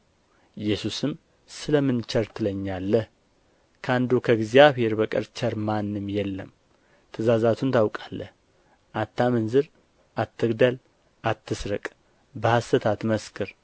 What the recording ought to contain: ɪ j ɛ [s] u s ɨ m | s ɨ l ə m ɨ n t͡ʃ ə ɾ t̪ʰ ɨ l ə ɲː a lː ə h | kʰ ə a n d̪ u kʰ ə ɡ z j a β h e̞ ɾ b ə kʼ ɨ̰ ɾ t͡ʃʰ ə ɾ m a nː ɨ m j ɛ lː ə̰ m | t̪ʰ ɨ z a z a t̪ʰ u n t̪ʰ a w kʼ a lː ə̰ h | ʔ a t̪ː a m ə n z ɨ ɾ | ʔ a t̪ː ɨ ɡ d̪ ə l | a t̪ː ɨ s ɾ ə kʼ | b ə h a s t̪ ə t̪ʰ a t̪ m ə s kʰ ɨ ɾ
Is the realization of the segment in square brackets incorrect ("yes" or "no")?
no